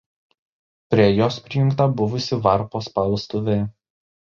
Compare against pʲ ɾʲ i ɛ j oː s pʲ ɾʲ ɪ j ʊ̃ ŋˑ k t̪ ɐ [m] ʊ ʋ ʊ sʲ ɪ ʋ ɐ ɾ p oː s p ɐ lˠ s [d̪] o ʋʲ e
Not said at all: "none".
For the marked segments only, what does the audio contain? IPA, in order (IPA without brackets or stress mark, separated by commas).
b, t̪